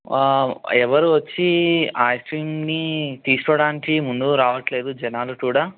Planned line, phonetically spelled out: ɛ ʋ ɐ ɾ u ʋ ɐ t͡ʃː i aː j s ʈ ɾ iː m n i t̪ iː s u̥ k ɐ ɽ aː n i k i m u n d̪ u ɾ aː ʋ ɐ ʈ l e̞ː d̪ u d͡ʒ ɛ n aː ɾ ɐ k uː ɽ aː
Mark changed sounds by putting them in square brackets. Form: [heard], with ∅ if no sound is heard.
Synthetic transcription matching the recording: ɛ ʋ ɐ ɾ u ʋ ɐ t͡ʃː i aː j s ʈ ɾ iː m n i t̪ iː s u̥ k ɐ ɽ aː n i k i m u n d̪ u ɾ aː ʋ ɐ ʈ l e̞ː d̪ u d͡ʒ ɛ n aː [l] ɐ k uː ɽ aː